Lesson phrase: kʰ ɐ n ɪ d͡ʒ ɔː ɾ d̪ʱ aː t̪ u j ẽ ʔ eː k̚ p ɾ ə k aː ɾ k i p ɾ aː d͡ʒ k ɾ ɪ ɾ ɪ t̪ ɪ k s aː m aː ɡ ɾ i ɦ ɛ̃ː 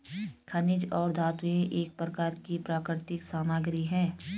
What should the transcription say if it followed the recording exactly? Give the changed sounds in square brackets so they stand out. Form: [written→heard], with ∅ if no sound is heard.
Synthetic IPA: kʰ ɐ n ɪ d͡ʒ ɔː ɾ d̪ʱ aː t̪ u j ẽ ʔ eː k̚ p ɾ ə k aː ɾ k i p ɾ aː [d͡ʒ→∅] k ɾ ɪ ɾ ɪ t̪ ɪ k s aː m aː ɡ ɾ i ɦ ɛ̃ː